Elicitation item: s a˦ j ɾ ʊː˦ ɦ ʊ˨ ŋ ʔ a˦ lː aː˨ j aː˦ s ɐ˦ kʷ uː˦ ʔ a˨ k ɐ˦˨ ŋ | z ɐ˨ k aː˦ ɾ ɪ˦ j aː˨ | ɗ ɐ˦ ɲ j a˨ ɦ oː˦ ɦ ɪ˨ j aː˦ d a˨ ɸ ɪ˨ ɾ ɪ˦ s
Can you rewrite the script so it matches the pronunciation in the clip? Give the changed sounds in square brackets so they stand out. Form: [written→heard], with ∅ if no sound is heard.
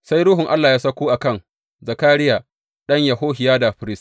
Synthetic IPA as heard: s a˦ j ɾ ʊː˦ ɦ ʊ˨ ŋ ʔ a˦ lː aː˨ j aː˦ s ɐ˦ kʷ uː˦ ʔ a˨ k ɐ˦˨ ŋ | z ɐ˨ k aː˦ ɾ ɪ˦ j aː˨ | ɗ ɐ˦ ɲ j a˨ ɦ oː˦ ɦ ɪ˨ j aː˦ d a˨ ɸ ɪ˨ ɾ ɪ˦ s